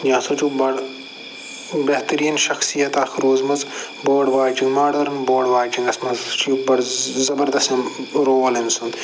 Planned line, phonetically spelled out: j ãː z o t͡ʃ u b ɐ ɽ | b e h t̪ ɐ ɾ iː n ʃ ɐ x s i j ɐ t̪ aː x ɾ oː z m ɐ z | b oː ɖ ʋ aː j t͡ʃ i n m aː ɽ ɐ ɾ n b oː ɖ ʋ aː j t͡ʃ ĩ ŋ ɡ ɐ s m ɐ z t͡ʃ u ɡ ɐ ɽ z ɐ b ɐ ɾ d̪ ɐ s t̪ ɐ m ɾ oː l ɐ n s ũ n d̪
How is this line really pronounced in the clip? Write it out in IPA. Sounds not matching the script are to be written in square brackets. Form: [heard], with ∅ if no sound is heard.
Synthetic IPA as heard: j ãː [s] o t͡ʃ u b ɐ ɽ | b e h t̪ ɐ ɾ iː n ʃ ɐ x s i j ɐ t̪ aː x ɾ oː z m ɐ z | b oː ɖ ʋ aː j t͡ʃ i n m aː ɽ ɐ ɾ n b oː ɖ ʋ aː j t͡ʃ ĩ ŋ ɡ ɐ s m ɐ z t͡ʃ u [b] ɐ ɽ z ɐ b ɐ ɾ d̪ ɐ s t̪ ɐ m ɾ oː l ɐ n s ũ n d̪